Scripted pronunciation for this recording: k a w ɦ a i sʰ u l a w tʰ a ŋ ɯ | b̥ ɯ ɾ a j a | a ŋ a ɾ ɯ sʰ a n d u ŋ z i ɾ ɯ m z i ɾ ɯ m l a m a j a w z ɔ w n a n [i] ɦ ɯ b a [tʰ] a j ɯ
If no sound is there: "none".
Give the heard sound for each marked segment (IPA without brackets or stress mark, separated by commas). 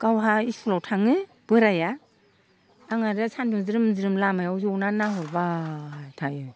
a, tʰ